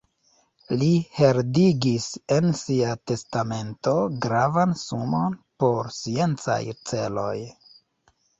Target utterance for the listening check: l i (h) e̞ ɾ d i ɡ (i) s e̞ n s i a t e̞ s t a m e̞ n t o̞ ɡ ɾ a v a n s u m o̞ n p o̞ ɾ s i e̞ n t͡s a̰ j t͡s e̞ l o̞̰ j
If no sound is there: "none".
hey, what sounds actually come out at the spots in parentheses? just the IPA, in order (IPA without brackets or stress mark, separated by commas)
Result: h, i